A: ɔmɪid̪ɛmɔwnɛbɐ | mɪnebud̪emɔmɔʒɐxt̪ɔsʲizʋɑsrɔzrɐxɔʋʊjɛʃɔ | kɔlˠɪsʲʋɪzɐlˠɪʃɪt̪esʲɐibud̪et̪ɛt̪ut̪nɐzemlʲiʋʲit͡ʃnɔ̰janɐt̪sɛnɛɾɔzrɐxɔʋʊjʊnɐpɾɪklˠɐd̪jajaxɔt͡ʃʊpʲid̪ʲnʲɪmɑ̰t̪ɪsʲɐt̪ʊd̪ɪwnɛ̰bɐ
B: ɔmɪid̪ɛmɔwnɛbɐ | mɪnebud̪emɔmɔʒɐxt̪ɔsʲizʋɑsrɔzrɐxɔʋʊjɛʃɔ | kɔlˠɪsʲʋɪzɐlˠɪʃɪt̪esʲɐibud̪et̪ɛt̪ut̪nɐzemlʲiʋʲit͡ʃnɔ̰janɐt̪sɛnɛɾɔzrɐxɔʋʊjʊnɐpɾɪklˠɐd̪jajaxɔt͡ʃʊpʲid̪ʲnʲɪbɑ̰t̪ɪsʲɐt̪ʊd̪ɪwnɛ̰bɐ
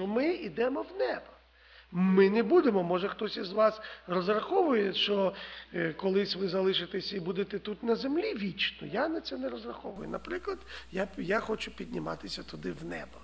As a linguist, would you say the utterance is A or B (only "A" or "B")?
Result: A